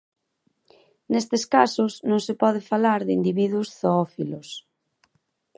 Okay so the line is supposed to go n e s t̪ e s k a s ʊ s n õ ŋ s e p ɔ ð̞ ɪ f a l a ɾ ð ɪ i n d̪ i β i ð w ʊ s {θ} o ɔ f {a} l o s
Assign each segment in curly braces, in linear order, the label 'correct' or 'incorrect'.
correct, incorrect: i

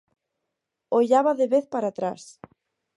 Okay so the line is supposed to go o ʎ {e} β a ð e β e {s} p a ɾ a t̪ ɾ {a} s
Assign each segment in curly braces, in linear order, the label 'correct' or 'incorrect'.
incorrect: a, incorrect: θ, correct

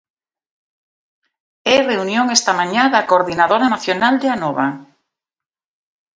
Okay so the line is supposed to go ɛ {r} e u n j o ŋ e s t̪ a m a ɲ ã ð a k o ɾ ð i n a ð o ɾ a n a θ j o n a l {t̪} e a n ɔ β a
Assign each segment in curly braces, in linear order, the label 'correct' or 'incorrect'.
correct, incorrect: d̪

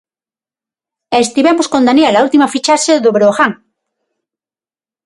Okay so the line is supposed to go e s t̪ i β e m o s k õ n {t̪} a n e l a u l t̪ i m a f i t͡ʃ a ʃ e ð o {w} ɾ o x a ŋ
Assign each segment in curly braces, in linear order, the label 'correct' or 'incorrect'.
incorrect: d̪, incorrect: β

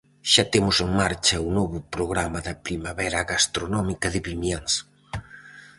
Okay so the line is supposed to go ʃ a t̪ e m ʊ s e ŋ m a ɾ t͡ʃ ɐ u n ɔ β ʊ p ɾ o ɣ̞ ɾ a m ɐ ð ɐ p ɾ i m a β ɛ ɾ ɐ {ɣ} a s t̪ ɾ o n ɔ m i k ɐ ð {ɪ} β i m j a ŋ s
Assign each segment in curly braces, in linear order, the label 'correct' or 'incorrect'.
correct, correct

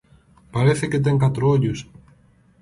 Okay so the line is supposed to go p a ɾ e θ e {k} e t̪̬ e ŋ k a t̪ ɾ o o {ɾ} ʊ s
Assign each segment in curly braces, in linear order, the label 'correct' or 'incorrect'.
correct, incorrect: ʎ

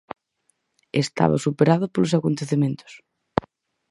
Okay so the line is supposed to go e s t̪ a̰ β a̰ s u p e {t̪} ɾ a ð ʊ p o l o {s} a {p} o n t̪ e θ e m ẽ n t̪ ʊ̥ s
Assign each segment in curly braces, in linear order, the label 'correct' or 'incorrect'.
incorrect: none, correct, incorrect: k

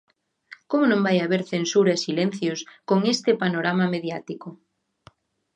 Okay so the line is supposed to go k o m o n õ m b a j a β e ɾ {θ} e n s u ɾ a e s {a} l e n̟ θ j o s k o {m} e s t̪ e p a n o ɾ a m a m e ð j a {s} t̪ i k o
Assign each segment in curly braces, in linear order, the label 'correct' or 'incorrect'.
correct, incorrect: i, incorrect: ŋ, incorrect: none

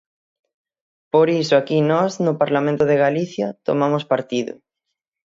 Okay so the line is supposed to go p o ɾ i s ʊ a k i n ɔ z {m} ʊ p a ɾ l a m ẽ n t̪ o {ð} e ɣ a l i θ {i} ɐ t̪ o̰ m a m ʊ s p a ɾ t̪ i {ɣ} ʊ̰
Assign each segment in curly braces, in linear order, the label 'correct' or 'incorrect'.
incorrect: n, correct, incorrect: j, incorrect: ð

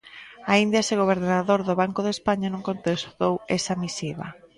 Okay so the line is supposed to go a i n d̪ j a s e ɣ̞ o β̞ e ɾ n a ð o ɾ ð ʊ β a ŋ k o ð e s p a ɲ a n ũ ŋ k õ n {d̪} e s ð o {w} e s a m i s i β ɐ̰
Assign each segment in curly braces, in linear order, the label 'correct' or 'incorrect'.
incorrect: t̪, correct

